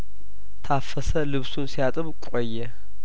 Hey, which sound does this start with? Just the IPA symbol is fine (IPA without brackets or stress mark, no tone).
t̪ʰ